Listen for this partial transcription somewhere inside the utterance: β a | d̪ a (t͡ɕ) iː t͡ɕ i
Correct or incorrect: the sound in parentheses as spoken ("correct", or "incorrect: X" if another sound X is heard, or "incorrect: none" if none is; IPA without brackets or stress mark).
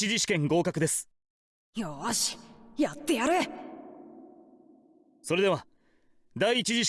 incorrect: none